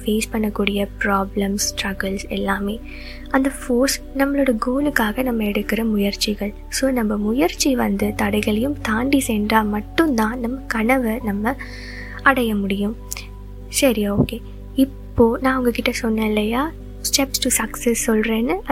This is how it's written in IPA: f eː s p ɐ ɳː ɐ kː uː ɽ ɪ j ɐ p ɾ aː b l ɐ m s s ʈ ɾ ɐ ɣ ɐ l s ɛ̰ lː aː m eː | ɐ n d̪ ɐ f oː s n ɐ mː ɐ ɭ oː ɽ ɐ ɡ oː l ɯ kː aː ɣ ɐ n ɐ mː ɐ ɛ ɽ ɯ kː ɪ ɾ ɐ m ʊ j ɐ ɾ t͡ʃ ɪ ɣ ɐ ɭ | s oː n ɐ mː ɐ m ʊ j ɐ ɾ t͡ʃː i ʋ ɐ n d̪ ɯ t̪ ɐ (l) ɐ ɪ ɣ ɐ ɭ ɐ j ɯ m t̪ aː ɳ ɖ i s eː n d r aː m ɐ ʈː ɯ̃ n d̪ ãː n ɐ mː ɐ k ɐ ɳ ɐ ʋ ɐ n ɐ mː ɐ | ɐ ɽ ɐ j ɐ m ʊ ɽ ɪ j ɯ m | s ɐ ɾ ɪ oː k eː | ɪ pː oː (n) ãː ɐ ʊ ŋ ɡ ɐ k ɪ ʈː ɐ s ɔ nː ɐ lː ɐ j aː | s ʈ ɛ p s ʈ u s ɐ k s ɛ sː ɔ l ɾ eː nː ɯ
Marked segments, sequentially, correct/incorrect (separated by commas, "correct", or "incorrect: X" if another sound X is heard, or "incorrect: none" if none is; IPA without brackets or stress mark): incorrect: ɽ, correct